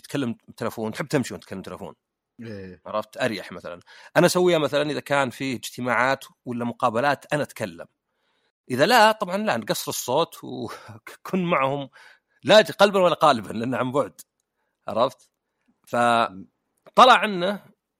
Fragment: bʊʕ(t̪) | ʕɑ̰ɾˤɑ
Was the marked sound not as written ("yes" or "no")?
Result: yes